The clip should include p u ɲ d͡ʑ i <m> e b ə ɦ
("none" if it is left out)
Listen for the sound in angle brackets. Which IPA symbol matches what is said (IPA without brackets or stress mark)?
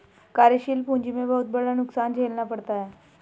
m